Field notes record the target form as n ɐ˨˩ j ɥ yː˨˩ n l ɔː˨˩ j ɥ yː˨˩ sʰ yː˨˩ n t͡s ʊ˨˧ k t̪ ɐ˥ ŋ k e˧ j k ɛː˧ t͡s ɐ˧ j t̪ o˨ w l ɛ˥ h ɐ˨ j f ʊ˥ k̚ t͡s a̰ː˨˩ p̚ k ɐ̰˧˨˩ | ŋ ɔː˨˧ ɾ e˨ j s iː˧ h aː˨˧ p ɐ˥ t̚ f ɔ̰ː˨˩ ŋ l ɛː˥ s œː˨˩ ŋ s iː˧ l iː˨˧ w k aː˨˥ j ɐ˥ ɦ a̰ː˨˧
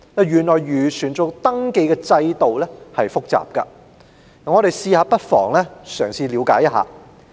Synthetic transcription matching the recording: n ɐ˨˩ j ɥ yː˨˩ n l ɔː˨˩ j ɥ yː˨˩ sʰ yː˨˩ n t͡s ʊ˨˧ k t̪ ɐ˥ ŋ k e˧ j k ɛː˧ t͡s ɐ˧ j t̪ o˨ w l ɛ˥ h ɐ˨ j f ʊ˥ k̚ t͡s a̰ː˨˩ p̚ k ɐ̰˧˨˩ | ŋ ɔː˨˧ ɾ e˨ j s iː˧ h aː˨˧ p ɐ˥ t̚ f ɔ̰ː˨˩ ŋ l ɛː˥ s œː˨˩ ŋ s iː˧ l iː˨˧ w k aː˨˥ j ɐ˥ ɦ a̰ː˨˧